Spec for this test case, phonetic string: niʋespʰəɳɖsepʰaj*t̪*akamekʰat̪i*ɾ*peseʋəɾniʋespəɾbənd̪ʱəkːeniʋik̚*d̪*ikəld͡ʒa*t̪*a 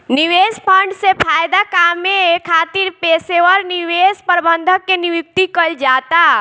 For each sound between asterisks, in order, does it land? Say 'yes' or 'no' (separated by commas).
no, yes, no, yes